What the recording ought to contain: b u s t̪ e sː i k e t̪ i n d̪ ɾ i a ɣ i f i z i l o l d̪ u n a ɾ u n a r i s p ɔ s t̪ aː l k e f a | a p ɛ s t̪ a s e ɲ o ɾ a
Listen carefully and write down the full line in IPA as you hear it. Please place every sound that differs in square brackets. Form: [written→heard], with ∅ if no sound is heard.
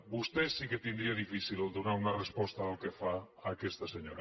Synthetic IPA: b u s t̪ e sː i k e t̪ i n d̪ ɾ i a [ɣ→ð] i f i [z→s] i l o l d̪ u n a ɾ u n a r [i→e] s p ɔ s t̪ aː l k e f a | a [p→k] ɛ s t̪ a s e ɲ o ɾ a